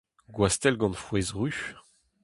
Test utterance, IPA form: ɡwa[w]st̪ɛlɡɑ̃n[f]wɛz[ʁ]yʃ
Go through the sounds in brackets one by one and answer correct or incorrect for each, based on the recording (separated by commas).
incorrect, correct, correct